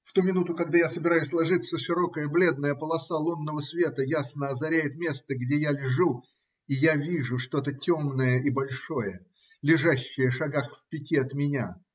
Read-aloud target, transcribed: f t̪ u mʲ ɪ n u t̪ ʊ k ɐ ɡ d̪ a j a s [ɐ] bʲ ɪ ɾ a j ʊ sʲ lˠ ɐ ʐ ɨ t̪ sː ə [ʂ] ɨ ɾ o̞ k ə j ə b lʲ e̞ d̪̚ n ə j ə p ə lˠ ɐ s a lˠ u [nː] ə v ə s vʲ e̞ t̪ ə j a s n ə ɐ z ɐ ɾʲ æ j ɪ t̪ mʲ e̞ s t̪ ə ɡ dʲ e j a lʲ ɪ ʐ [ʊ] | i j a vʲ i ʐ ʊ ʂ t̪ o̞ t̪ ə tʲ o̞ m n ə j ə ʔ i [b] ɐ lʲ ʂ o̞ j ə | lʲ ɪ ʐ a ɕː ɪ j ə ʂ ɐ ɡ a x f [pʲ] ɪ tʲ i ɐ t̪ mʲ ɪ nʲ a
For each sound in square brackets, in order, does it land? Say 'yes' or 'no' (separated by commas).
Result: no, yes, yes, no, yes, yes